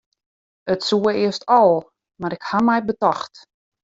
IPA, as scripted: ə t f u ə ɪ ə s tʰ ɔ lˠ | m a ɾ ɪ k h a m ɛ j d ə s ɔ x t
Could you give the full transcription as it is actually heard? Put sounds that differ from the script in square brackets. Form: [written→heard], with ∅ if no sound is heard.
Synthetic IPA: ə t [f→s] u ə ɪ ə s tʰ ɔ lˠ | m a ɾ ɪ k h a m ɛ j [d→b] ə [s→t] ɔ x t